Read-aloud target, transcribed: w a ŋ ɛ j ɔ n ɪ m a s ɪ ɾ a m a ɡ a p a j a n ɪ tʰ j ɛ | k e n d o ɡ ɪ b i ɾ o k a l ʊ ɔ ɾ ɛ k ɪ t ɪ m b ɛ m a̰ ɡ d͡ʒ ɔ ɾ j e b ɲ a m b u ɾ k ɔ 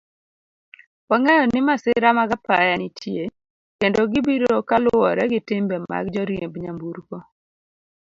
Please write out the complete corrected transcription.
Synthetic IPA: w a ŋ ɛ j ɔ n ɪ m a s ɪ ɾ a m a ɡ a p a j a n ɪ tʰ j e | k e n d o ɡ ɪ b i ɾ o k a l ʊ ɔ ɾ ɛ ɡ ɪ t ɪ m b ɛ m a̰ ɡ d͡ʒ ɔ ɾ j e b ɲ a m b u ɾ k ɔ